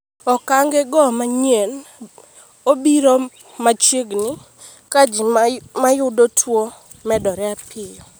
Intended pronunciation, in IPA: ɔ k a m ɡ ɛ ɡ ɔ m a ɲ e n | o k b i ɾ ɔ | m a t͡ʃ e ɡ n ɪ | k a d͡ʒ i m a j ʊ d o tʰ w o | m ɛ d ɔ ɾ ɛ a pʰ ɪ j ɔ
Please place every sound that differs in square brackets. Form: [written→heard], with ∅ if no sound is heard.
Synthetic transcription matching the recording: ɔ k a [m→ŋ] ɡ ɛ ɡ ɔ m a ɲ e n | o [k→∅] b i ɾ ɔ | m a t͡ʃ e ɡ n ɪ | k a d͡ʒ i m a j ʊ d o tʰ w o | m ɛ d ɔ ɾ ɛ a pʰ ɪ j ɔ